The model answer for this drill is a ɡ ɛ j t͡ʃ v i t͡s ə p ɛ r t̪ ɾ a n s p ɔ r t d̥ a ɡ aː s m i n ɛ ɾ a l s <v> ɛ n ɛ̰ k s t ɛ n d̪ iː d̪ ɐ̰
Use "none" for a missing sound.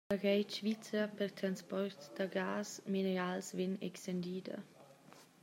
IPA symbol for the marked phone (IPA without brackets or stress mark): v